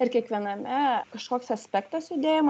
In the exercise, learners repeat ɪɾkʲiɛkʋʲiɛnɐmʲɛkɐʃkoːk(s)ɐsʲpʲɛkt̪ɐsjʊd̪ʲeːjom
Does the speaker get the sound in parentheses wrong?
no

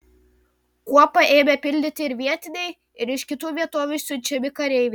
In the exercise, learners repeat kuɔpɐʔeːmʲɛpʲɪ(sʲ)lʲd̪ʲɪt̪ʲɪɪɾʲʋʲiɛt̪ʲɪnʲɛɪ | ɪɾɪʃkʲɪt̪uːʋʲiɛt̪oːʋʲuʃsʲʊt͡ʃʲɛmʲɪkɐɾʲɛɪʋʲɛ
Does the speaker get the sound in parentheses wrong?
yes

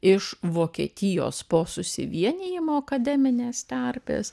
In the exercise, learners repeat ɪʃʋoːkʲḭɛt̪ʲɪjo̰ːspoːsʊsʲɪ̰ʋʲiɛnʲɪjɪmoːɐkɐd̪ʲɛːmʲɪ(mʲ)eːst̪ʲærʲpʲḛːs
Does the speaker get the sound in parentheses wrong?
yes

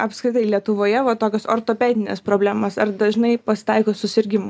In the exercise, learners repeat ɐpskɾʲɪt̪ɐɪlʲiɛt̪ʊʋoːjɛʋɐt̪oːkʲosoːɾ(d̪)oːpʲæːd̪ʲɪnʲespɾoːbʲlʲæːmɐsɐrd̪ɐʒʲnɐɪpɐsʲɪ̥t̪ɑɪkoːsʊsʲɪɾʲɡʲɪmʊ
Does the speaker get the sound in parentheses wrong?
yes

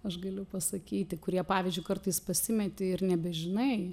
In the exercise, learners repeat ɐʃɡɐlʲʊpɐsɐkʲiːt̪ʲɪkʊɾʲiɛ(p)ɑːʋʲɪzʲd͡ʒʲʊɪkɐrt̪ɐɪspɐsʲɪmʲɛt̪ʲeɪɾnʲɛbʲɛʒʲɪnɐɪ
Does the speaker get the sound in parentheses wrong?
no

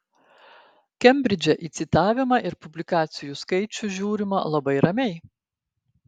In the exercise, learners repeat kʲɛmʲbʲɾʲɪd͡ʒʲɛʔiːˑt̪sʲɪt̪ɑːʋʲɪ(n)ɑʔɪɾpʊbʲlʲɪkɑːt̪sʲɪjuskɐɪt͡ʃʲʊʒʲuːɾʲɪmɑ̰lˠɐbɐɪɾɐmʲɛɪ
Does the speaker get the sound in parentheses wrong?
yes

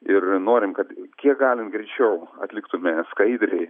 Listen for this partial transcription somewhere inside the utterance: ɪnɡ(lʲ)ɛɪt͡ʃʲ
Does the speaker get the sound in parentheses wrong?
yes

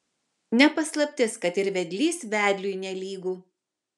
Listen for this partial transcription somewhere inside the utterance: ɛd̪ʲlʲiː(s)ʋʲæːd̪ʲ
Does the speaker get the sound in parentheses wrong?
no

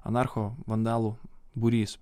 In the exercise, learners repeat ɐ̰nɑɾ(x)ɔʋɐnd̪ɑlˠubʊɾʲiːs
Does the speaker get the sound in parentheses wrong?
no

